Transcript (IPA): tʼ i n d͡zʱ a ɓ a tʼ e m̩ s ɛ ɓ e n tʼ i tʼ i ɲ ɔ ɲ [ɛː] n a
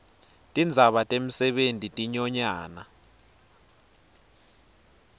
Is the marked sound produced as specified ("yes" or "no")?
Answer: no